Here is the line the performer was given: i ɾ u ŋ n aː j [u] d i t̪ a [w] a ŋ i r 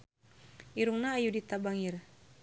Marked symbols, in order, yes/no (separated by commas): yes, no